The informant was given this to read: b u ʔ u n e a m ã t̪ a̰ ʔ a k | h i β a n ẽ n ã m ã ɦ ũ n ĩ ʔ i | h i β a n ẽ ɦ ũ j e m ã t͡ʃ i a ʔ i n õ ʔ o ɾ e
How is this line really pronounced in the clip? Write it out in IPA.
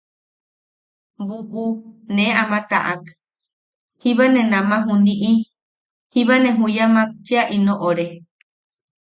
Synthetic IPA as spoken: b u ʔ u n e a m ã t̪ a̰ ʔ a k | h i β a n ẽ n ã m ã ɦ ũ n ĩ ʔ i | h i β a n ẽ ɦ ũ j a m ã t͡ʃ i a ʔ i n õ ʔ o ɾ e